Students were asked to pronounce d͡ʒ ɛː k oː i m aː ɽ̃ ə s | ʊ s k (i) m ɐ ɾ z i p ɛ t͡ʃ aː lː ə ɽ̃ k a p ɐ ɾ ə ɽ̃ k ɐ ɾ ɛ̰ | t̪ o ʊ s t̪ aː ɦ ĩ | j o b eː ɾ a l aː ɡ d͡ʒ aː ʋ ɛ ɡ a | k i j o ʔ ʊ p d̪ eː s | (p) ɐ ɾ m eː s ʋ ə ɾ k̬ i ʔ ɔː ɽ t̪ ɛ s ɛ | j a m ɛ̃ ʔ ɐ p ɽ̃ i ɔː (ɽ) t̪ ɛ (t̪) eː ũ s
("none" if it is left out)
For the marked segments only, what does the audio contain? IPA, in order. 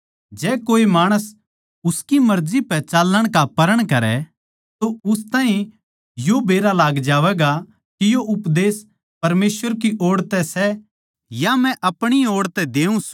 i, p, ɽ, d̪

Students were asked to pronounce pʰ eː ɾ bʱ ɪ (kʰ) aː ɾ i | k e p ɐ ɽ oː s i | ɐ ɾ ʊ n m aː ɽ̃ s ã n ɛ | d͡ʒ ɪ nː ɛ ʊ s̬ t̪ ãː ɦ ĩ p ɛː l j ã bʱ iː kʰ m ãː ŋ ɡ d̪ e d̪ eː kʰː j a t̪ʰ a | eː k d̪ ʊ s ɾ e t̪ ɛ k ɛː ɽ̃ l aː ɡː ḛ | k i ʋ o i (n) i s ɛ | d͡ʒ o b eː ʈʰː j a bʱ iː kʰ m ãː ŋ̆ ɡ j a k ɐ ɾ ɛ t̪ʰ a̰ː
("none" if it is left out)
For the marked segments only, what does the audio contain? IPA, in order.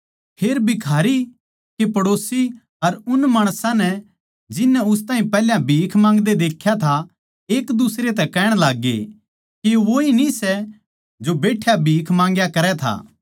kʰ, n

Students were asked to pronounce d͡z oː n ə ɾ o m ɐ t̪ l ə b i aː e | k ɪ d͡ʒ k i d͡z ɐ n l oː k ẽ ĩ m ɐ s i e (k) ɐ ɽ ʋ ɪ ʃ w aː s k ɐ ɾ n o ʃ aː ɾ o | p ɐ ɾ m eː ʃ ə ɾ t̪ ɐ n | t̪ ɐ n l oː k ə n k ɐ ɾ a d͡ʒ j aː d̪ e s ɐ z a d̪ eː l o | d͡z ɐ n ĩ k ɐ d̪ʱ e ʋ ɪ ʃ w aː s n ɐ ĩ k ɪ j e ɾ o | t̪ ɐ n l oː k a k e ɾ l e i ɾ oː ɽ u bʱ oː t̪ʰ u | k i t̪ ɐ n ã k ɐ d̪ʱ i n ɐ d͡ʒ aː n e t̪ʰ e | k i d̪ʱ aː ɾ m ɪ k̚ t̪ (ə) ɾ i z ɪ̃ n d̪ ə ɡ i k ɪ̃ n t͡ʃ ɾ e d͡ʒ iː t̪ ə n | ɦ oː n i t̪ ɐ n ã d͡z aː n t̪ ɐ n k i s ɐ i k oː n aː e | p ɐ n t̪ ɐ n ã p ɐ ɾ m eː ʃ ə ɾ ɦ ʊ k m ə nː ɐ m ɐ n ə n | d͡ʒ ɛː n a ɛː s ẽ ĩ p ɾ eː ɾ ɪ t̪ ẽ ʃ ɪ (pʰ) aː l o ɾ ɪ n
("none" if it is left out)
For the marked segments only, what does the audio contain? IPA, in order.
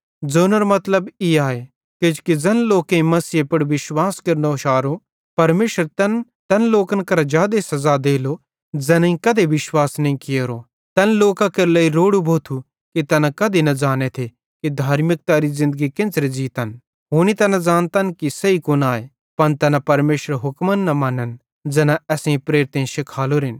p, a, kʰ

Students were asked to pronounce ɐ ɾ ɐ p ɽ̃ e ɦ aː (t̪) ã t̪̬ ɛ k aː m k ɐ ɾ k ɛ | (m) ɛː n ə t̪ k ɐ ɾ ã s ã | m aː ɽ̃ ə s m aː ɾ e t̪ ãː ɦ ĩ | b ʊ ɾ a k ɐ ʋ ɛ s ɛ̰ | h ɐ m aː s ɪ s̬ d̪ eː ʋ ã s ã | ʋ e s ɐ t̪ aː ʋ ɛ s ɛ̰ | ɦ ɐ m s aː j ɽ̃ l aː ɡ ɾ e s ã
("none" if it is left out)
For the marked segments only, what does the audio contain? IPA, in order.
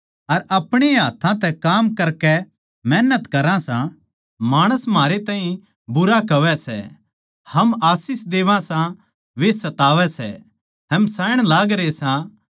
t̪ʰ, m

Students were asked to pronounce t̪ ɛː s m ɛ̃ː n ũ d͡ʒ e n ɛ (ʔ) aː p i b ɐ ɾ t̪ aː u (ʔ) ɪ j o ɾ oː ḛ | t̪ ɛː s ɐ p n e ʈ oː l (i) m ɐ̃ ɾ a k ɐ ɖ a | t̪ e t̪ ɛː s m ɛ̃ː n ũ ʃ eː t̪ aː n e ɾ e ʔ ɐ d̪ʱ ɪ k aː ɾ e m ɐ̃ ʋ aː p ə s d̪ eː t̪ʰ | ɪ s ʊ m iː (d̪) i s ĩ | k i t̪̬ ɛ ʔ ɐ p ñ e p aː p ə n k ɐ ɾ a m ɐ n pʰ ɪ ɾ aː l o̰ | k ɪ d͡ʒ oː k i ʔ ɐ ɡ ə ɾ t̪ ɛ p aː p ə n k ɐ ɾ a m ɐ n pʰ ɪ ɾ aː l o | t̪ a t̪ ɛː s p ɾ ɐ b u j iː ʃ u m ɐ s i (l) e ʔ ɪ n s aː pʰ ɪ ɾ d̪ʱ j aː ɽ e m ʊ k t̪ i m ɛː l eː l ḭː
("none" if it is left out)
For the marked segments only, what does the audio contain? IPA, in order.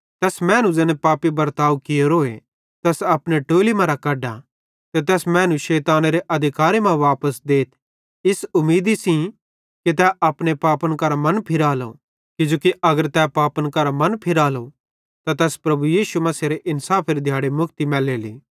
p, k, i, d̪, ɾ

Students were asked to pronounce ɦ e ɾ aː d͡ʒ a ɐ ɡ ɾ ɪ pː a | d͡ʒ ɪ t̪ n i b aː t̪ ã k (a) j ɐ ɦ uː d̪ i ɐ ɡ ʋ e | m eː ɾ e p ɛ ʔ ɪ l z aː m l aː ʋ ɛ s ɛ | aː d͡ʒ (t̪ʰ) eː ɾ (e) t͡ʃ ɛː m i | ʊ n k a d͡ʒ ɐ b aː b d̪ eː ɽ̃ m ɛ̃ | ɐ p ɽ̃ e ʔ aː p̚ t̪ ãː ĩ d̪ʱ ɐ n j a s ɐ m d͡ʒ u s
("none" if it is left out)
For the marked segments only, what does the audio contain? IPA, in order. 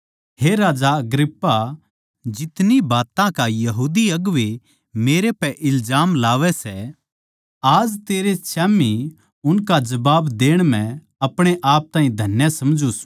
a, t̪, e

